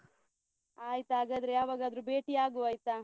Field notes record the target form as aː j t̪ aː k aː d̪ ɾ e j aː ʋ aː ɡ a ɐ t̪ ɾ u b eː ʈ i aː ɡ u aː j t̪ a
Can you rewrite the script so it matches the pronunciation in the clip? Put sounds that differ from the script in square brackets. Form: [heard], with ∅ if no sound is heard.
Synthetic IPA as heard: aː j t̪ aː [ɡ] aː d̪ ɾ e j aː ʋ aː ɡ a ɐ [d̪] ɾ u b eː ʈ i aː ɡ u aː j t̪ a